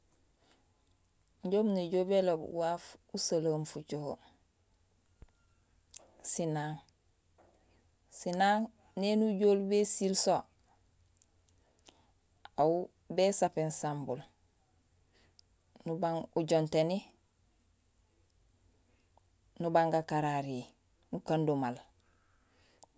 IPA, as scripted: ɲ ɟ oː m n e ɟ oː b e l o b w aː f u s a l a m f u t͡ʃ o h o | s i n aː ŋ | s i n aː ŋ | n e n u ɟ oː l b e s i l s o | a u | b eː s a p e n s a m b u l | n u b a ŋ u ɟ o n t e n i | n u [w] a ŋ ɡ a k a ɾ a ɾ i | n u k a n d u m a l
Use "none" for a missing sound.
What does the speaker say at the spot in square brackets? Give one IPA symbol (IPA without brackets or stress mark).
b